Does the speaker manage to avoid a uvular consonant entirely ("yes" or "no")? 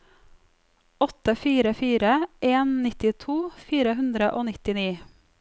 yes